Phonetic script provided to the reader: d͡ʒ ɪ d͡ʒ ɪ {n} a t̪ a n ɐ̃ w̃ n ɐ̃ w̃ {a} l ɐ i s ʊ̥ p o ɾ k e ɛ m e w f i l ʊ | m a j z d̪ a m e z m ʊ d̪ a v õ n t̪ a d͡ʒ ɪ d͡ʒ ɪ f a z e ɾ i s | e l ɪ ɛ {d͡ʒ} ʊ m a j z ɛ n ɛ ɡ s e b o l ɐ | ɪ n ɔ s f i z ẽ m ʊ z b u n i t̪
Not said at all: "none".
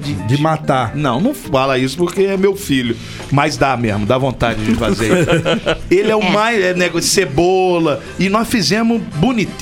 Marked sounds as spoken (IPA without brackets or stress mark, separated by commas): m, a, none